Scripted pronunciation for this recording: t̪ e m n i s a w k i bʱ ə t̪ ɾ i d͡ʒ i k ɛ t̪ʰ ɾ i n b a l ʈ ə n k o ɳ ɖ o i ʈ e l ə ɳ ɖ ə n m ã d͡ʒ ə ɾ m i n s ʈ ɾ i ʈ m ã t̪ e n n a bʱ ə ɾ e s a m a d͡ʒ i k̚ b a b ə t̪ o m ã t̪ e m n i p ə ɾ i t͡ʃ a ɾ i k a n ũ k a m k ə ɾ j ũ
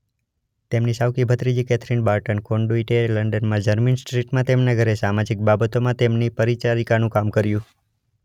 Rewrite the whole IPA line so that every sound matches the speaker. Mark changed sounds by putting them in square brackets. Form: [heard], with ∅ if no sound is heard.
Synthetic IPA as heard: t̪ e m n i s a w k i bʱ ə t̪ ɾ i d͡ʒ i k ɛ t̪ʰ ɾ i n b a [ɾ] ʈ ə n k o ɳ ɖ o i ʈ e l ə ɳ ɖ ə n m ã d͡ʒ ə ɾ m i n s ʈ ɾ i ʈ m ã t̪ e [m] n a [ɡʱ] ə ɾ e s a m a d͡ʒ i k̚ b a b ə t̪ o m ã t̪ e m n i p ə ɾ i t͡ʃ a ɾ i k a n ũ k a m k ə ɾ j ũ

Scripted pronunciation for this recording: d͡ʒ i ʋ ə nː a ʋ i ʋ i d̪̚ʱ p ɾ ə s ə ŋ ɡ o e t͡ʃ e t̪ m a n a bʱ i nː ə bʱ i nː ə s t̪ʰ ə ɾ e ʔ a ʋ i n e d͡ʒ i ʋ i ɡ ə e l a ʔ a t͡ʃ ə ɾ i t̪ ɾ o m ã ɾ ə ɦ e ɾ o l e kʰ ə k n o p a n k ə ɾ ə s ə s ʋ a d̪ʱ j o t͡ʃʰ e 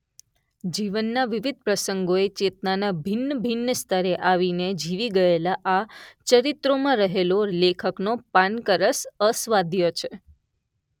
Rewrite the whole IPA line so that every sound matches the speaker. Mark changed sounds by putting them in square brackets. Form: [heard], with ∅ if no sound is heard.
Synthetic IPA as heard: d͡ʒ i ʋ ə nː a ʋ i ʋ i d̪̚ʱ p ɾ ə s ə ŋ ɡ o e t͡ʃ e t̪ [n] a n a bʱ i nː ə bʱ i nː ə s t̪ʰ ə ɾ e ʔ a ʋ i n e d͡ʒ i ʋ i ɡ ə e l a ʔ a t͡ʃ ə ɾ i t̪ ɾ o m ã ɾ ə ɦ e [l] o l e kʰ ə k n o p a n k ə ɾ ə s ə s ʋ a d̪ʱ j o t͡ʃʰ e

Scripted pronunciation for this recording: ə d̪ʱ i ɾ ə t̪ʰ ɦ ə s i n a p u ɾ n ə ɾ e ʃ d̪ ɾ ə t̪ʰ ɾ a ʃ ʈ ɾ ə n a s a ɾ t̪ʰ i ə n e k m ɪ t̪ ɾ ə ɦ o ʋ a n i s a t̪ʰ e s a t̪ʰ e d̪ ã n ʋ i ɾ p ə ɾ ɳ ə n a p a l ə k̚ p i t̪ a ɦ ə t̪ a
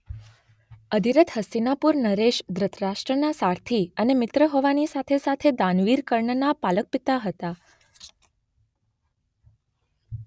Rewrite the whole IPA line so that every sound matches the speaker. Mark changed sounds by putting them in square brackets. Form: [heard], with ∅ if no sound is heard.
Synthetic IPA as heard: ə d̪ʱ i ɾ ə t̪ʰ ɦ ə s i n a p u ɾ n ə ɾ e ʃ d̪ ɾ ə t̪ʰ ɾ a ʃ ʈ ɾ ə n a s a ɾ t̪ʰ i ə n e [∅] m ɪ t̪ ɾ ə ɦ o ʋ a n i s a t̪ʰ e s a t̪ʰ e d̪ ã n ʋ i ɾ [k] ə ɾ ɳ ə n a p a l ə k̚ p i t̪ a ɦ ə t̪ a

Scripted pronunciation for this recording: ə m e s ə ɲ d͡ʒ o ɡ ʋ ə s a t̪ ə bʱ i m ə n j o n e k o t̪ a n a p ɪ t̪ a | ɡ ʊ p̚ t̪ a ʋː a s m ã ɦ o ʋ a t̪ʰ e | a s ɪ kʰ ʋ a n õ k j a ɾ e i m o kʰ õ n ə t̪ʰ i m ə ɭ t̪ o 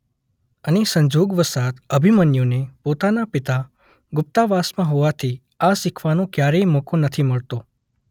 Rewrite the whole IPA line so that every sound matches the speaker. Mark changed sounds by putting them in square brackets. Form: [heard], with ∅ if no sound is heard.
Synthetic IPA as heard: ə [n] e s ə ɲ d͡ʒ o ɡ ʋ ə s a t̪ ə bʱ i m ə n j o n e [p] o t̪ a n a p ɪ t̪ a | ɡ ʊ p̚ t̪ a [ʋ] a s m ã ɦ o ʋ a t̪ʰ [i] | a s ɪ kʰ ʋ a n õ k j a ɾ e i m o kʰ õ n ə t̪ʰ i m ə ɭ t̪ o

